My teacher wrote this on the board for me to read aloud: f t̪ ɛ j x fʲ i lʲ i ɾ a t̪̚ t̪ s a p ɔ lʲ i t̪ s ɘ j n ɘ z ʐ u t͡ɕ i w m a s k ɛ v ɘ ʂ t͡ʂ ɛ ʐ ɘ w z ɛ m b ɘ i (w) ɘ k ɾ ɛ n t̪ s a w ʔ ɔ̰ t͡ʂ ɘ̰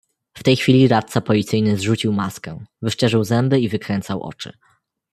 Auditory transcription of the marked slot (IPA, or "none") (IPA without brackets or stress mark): v